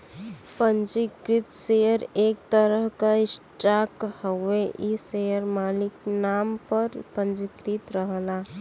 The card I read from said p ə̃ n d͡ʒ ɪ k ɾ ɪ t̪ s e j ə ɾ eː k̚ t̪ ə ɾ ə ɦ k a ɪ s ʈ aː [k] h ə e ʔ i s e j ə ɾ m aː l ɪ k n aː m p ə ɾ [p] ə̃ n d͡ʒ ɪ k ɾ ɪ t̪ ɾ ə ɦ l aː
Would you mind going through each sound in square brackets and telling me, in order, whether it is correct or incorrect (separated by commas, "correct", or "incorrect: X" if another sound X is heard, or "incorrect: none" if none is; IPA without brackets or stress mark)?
correct, correct